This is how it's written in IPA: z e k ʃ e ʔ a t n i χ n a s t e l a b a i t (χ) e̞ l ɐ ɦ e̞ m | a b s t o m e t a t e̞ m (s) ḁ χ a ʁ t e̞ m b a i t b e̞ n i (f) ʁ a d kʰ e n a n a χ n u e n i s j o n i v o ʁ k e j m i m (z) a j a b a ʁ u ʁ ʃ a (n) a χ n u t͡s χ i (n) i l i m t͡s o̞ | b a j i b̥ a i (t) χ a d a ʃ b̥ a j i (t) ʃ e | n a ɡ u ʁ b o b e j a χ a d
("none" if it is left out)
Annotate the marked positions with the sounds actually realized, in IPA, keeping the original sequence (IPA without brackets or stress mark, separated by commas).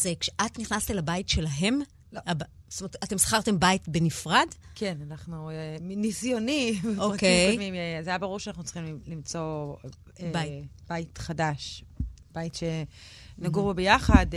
ʃ, s, f, z, n, m, t, t